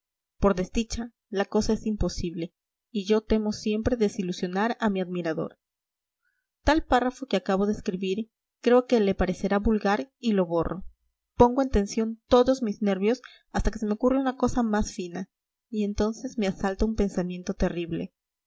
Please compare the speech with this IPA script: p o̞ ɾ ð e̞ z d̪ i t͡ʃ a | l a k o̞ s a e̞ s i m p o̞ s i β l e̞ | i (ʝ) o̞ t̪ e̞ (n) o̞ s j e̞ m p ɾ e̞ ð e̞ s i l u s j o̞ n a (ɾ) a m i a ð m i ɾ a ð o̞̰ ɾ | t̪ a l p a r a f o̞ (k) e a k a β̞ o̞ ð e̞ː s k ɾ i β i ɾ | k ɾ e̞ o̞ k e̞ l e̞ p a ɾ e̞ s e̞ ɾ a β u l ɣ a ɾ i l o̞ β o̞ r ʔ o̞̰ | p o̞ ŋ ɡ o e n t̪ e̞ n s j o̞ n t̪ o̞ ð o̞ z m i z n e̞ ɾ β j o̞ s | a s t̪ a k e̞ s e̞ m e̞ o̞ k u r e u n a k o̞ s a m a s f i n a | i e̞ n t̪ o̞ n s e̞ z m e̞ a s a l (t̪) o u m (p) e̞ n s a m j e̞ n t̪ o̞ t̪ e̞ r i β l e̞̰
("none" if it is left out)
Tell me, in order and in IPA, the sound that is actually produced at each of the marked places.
ʝ, m, ɾ, k, t̪, p

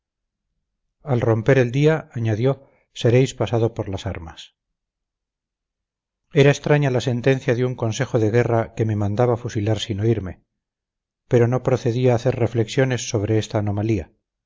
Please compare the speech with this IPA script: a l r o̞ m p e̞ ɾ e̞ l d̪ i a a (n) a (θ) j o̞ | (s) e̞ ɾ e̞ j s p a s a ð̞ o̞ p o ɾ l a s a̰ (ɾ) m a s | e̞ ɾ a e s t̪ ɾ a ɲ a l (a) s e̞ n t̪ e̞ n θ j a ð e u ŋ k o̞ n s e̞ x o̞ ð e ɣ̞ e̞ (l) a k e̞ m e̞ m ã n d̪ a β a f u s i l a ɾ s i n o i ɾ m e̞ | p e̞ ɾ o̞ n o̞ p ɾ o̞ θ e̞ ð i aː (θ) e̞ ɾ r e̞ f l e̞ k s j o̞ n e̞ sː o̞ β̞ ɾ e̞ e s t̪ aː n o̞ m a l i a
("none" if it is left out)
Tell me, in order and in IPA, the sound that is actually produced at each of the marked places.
ɲ, ð, s, ɾ, a, r, θ

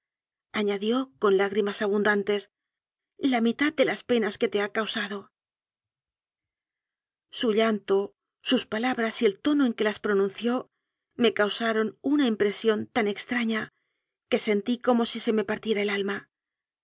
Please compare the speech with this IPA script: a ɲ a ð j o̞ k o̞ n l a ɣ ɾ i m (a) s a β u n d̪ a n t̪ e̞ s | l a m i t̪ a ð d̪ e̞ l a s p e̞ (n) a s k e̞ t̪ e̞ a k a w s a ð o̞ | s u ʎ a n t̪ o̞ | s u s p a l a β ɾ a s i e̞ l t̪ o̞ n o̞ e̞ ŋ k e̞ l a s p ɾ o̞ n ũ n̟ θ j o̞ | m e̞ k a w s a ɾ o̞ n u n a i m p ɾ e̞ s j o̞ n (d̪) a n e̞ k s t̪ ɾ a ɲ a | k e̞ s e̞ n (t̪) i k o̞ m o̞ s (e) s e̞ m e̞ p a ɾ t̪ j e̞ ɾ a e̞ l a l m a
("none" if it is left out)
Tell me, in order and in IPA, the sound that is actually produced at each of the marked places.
a, n, t̪, t̪, i

